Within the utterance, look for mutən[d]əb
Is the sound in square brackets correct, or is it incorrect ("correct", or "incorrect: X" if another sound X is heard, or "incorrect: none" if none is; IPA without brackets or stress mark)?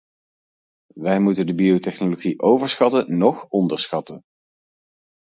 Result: correct